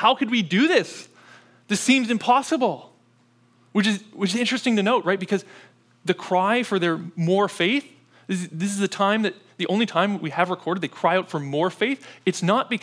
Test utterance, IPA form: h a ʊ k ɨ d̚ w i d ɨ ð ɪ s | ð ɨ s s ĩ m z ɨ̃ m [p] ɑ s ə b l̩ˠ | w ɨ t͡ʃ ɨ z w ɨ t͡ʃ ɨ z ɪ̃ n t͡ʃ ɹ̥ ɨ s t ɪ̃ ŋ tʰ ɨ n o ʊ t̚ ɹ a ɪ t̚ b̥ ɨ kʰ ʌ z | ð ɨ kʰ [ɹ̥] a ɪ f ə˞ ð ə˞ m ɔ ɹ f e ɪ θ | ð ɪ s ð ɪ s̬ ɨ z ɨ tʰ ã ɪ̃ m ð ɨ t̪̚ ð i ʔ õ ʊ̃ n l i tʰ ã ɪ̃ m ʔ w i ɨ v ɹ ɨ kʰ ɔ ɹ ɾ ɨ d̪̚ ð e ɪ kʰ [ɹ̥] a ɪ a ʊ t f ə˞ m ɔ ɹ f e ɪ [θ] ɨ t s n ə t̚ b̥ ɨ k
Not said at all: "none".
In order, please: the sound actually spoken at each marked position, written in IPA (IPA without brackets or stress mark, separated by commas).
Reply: pʰ, ɹ̥, ɹ̥, θ